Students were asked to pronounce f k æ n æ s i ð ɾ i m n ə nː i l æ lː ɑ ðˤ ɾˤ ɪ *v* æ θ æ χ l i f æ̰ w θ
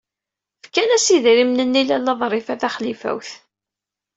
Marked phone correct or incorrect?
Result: incorrect